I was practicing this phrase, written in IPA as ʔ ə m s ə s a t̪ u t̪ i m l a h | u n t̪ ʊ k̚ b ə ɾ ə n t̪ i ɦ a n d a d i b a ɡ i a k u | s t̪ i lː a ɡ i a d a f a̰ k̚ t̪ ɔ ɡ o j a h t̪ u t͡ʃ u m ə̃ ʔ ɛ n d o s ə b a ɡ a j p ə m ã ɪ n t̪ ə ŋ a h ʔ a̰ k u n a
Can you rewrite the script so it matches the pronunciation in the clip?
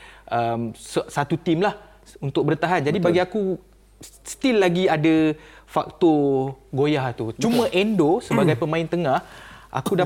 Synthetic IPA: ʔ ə m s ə s a t̪ u t̪ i m l a h | u n t̪ ʊ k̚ b ə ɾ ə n t̪ a ɦ a n d͡ʒ a d i b a ɡ i a k u | s t̪ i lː a ɡ i a d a f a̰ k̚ t̪ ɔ ɡ o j a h t̪ u t͡ʃ u m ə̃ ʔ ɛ n d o s ə b a ɡ a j p ə m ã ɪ n t̪ ə ŋ a h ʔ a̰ k u d a